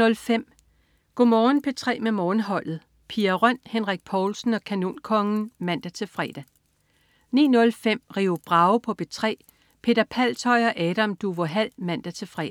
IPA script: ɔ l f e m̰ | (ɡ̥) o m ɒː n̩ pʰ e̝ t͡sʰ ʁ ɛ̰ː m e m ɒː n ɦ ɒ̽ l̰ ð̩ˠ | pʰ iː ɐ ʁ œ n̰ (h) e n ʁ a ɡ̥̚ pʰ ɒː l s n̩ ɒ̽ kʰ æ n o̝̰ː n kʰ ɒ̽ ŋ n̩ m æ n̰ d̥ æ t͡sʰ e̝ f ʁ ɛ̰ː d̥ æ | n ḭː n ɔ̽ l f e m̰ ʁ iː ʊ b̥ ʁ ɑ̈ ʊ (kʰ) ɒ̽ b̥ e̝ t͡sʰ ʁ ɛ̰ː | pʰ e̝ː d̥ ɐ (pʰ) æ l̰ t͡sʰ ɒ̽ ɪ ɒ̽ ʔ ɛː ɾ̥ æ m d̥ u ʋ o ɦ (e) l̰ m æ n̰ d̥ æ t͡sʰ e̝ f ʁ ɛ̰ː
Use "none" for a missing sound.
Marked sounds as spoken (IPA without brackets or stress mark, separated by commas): ɡ̥, h, pʰ, pʰ, æ